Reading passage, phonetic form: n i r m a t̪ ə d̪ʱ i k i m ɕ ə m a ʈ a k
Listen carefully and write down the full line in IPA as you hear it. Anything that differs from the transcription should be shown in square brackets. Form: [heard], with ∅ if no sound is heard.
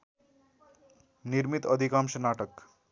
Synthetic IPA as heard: n i [ɾ] m [i] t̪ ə d̪ʱ i k [a] m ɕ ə [n] a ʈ [ə] k